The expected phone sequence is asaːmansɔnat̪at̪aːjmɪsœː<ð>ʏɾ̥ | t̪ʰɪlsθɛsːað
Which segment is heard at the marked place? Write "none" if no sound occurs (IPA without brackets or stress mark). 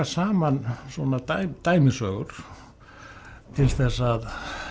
ɣ